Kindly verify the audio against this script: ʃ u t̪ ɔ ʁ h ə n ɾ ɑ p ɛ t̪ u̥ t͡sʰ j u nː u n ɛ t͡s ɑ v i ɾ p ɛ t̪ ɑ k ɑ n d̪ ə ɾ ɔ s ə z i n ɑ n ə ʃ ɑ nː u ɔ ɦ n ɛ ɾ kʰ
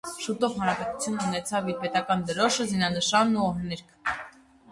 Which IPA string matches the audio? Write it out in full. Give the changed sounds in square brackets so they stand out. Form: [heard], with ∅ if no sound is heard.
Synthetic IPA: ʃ u t̪ ɔ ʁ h [ɑ] n ɾ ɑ p ɛ t̪ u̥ t͡sʰ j u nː u n ɛ [t͡sʰ] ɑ v i ɾ p ɛ t̪ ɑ k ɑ n d̪ ə ɾ ɔ [ʃ] ə z i n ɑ n ə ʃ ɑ nː u ɔ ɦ n ɛ ɾ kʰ